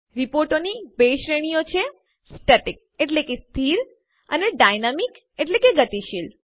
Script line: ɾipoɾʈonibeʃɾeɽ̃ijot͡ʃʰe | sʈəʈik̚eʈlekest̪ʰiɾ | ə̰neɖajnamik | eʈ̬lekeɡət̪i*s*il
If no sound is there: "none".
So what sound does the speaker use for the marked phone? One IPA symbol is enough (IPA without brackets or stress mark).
ʃ